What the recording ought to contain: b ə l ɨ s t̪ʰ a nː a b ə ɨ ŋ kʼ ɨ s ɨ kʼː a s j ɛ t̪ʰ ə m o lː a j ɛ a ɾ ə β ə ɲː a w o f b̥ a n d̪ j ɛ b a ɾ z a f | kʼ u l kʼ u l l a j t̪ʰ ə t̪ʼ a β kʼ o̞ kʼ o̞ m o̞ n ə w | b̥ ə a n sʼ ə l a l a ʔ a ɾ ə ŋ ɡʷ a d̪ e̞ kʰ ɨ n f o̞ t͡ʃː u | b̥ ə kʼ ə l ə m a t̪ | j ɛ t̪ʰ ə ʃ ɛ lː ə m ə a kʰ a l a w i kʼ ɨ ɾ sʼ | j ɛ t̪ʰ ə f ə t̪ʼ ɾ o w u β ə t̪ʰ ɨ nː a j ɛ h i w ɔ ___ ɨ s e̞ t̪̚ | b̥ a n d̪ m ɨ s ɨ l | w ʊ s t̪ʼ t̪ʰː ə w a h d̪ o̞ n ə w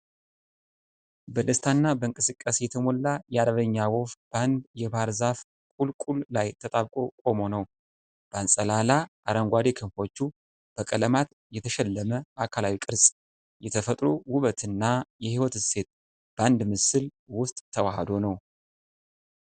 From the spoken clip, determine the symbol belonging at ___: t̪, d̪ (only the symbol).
t̪